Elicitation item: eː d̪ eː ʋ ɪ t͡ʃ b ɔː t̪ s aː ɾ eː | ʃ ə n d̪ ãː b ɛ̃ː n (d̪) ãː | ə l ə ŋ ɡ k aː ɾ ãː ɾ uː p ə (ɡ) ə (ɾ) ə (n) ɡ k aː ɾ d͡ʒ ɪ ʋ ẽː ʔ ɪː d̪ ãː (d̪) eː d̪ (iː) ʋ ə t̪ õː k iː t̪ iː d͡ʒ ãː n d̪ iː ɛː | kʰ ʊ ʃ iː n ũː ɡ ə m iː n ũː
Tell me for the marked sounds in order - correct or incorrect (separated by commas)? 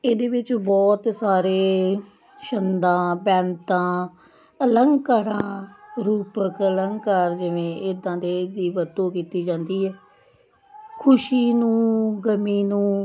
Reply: incorrect, incorrect, incorrect, incorrect, correct, correct